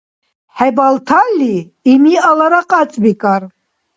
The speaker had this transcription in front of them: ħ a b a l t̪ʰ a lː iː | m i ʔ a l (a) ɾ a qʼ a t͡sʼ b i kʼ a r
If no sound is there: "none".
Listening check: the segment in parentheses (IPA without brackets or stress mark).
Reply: a